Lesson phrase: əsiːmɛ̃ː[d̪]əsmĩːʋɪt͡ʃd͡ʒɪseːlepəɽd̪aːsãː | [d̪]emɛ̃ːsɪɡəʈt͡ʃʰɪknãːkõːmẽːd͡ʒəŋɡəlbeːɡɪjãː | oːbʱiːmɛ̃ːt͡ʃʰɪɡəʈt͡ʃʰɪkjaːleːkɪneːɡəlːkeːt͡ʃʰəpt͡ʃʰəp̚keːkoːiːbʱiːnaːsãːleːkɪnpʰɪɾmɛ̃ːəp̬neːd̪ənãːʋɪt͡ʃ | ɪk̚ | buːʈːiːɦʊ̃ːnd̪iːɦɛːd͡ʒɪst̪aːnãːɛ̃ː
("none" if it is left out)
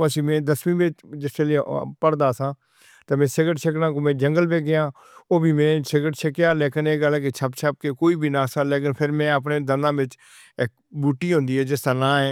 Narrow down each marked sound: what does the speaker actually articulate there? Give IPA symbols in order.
d̪, t̪

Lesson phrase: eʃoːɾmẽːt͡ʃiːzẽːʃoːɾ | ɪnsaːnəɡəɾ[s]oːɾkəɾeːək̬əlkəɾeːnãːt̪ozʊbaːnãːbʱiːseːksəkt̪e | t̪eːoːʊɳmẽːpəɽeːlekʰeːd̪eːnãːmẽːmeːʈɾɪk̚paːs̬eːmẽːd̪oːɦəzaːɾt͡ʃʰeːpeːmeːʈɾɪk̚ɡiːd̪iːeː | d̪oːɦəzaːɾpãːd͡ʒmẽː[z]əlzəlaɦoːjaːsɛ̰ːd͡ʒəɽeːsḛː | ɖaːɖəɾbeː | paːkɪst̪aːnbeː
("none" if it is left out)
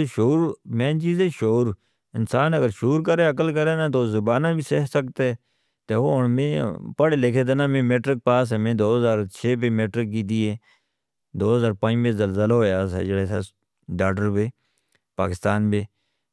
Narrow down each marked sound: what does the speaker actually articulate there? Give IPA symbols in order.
ʃ, z

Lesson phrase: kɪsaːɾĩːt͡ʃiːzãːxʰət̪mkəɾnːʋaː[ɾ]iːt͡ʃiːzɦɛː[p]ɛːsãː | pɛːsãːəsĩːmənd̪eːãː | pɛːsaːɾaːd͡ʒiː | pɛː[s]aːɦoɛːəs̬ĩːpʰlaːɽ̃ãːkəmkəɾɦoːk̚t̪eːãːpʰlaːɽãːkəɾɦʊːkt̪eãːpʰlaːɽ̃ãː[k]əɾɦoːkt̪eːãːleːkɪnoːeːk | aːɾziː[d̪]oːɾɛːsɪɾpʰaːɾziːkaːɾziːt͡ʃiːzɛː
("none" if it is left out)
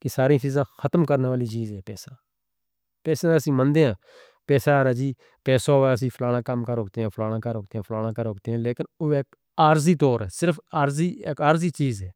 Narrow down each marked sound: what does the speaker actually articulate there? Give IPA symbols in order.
l, p, s, k, t̪

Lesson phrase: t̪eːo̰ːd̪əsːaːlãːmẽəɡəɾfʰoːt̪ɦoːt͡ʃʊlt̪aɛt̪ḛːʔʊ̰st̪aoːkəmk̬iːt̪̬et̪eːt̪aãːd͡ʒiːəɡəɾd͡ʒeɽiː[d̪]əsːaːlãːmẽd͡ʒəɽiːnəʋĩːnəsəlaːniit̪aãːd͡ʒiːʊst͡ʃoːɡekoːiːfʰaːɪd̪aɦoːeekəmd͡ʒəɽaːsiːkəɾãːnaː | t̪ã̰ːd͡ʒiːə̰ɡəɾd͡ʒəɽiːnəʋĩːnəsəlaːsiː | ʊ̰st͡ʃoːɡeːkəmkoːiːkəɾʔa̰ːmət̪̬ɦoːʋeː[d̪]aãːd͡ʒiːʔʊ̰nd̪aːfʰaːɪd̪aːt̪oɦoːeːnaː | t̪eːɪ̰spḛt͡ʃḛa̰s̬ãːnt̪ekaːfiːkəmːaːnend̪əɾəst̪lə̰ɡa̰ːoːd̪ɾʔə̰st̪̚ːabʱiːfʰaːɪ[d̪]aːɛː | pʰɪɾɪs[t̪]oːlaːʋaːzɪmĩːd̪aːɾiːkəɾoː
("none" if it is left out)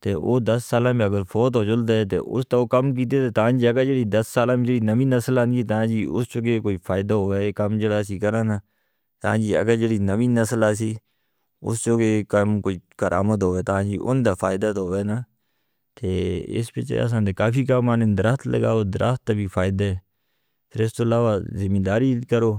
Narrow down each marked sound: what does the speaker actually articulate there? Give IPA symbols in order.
d̪, t̪, d̪, t̪

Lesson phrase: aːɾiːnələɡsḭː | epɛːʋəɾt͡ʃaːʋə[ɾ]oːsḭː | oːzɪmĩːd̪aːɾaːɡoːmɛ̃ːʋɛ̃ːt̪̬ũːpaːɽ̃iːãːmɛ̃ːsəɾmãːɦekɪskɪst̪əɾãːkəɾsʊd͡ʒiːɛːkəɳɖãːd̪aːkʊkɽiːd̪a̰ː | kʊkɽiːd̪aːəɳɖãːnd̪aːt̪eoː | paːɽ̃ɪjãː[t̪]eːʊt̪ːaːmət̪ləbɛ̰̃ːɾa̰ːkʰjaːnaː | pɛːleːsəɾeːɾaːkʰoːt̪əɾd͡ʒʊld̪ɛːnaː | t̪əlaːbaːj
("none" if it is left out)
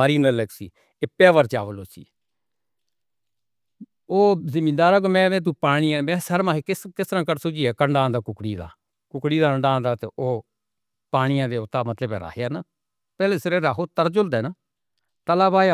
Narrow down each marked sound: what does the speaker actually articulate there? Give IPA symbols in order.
l, d̪

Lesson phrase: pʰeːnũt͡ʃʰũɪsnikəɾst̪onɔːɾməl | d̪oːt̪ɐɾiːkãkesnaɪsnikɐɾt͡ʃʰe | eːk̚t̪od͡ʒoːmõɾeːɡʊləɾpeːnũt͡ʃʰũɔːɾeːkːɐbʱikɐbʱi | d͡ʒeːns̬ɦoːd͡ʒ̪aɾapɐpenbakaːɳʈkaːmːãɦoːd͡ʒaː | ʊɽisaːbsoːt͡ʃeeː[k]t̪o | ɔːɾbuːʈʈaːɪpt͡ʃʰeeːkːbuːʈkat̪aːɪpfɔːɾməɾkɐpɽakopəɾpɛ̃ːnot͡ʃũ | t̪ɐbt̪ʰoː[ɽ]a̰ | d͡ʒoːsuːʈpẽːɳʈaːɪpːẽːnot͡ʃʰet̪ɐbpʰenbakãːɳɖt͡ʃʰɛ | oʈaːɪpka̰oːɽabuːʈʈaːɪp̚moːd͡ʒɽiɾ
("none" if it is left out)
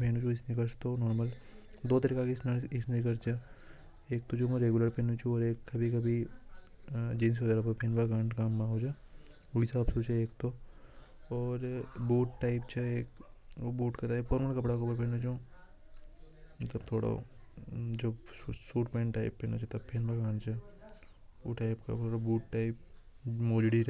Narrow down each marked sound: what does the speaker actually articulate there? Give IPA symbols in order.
k, ɽ

